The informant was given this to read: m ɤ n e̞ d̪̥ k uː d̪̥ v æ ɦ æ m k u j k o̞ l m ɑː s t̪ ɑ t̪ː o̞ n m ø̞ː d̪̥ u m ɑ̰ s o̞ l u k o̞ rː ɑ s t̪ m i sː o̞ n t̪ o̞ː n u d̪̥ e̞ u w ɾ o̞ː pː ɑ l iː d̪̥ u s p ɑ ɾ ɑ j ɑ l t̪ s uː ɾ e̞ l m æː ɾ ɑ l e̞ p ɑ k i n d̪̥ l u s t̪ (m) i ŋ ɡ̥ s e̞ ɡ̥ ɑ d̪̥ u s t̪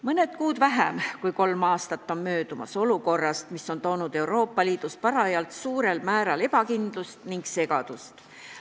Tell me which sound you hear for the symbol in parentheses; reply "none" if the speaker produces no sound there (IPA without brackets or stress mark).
n